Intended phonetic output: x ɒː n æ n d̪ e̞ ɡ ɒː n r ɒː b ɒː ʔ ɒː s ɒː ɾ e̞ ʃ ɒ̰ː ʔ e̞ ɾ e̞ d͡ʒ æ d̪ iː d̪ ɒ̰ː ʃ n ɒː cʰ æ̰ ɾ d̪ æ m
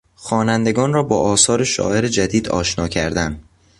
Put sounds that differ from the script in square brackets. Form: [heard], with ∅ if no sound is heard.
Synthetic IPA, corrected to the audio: x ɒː n æ n d̪ e̞ ɡ ɒː n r ɒː b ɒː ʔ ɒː s ɒː ɾ e̞ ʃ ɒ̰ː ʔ e̞ ɾ e̞ d͡ʒ æ d̪ iː d̪ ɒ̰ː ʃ n ɒː cʰ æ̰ ɾ d̪ æ [n]